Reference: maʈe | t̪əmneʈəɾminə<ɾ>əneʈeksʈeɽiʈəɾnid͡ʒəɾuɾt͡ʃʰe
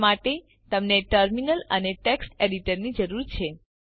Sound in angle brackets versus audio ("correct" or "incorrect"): incorrect